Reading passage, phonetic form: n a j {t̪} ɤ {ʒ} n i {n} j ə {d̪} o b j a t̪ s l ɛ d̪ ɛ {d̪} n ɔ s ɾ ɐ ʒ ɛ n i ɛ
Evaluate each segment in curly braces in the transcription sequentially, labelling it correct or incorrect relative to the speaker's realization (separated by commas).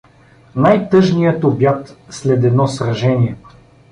correct, correct, incorrect, incorrect, correct